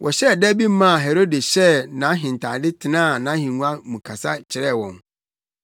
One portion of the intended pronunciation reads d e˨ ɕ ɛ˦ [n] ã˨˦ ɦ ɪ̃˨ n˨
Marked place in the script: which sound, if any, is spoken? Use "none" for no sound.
n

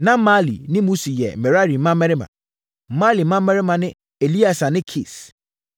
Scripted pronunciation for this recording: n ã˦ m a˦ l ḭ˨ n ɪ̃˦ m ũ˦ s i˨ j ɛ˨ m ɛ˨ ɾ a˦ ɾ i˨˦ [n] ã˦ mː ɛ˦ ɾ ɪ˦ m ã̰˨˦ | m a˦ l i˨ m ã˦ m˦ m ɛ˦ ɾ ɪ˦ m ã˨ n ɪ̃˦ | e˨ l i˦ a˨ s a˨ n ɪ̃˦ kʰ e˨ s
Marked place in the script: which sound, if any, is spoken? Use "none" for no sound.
m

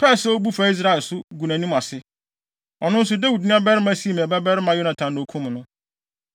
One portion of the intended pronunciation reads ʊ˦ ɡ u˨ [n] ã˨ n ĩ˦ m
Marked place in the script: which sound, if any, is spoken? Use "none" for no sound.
n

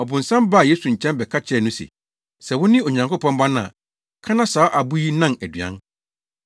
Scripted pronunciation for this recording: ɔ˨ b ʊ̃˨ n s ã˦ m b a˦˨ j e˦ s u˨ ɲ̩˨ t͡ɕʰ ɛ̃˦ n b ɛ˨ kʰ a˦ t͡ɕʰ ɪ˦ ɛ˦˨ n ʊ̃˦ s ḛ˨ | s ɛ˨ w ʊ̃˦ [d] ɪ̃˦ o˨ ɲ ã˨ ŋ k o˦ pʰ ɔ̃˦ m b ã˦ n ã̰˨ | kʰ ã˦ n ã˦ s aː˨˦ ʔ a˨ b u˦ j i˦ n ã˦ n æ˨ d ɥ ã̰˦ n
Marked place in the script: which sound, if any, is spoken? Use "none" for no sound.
n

